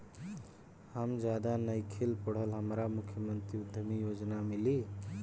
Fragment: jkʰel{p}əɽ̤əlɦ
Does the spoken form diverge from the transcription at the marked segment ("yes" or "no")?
no